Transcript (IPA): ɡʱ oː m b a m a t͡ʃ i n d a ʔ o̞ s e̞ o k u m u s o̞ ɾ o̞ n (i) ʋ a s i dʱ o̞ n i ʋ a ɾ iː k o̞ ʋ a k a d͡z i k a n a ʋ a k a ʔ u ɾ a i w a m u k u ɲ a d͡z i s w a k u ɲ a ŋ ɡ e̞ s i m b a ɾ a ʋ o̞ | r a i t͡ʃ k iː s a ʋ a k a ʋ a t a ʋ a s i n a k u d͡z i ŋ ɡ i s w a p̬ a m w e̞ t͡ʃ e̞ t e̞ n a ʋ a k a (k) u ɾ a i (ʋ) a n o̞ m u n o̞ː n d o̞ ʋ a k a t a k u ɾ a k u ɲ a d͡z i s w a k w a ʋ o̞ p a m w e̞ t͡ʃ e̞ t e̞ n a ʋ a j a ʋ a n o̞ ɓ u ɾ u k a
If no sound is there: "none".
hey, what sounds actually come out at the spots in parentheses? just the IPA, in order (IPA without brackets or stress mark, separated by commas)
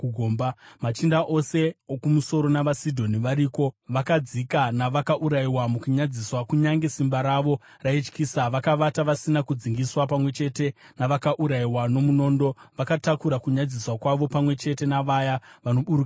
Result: a, ʔ, w